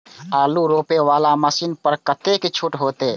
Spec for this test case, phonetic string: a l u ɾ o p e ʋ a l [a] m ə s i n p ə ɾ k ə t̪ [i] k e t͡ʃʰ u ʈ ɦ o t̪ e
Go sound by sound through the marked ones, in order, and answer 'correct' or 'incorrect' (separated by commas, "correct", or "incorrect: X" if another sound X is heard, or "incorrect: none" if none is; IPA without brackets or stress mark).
correct, incorrect: e